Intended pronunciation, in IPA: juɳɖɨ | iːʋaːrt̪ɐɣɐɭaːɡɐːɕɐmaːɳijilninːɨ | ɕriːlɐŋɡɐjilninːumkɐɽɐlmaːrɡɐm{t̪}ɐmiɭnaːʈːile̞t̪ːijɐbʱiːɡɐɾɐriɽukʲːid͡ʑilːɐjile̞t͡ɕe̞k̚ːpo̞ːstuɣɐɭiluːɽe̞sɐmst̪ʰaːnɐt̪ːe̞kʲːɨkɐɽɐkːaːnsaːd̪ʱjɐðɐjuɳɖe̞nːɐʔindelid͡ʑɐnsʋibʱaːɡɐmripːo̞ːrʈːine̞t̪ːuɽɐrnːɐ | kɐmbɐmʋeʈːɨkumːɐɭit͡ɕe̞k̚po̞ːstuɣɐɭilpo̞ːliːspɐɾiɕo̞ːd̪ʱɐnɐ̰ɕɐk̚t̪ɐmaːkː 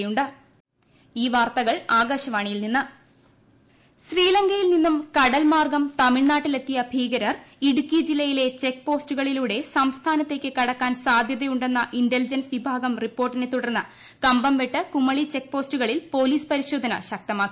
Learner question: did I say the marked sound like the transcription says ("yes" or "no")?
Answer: yes